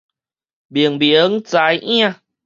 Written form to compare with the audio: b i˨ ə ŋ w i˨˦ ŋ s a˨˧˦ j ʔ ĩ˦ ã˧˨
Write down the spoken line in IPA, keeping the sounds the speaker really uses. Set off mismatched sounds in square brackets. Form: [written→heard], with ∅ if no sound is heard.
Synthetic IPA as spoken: b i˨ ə ŋ [w→b] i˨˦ ŋ [s→t͡s] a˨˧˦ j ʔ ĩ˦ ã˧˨